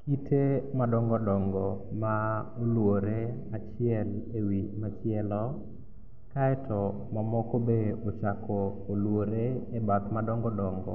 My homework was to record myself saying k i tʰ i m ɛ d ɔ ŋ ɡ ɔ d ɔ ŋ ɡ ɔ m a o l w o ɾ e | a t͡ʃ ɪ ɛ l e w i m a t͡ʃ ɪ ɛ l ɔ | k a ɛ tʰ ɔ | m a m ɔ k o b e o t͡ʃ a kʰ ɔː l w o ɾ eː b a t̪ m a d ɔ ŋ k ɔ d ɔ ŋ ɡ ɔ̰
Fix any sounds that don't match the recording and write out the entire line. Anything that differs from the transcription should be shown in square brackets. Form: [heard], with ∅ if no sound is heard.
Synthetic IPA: k i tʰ [e] m [a] d ɔ ŋ ɡ ɔ d ɔ ŋ ɡ ɔ m a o l w o ɾ e | a t͡ʃ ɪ ɛ l e w i m a t͡ʃ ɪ ɛ l ɔ | k a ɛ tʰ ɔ | m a m ɔ k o b e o t͡ʃ a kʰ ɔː l w o ɾ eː b a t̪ m a d ɔ ŋ [ɡ] ɔ d ɔ ŋ ɡ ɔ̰